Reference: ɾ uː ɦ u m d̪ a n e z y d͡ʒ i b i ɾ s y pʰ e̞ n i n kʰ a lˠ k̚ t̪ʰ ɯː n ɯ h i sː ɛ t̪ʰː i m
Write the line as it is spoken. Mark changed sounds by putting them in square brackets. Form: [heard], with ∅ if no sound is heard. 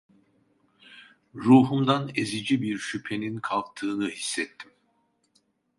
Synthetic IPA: ɾ uː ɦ u m d̪ a n e z [i] d͡ʒ i b i ɾ [ʃ] y pʰ e̞ n i n kʰ a lˠ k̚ t̪ʰ ɯː n ɯ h i sː ɛ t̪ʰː i m